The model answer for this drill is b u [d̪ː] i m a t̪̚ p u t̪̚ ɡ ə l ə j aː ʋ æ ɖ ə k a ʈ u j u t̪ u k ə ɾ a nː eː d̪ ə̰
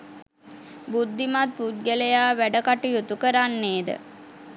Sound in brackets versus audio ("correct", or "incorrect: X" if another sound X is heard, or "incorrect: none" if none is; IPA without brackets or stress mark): correct